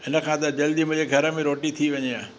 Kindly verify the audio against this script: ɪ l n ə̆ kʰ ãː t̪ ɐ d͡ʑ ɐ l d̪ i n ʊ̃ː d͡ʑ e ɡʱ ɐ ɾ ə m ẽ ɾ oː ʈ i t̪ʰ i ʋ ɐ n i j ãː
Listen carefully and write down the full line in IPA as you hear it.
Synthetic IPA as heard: ɪ n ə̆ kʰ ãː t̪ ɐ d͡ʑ ɐ l d̪ i m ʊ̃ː d͡ʑ e ɡʱ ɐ ɾ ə m ẽ ɾ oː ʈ i t̪ʰ i ʋ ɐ ɲ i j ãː